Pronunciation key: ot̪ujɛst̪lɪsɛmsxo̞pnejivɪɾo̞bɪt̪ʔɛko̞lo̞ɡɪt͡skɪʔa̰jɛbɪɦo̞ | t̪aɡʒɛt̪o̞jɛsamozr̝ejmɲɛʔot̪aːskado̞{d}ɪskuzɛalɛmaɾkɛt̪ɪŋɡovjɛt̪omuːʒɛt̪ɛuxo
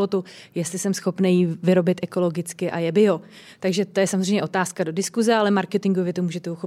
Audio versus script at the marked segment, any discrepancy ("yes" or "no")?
no